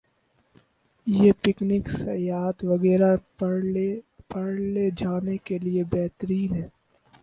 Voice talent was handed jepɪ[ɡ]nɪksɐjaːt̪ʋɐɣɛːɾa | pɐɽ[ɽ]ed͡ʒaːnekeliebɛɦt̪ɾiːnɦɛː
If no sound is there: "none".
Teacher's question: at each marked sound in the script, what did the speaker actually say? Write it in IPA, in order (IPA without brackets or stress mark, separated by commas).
k, l